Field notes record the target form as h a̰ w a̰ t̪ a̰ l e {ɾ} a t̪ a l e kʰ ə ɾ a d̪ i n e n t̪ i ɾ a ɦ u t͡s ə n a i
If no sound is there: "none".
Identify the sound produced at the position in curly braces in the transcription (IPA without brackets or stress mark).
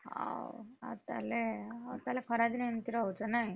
none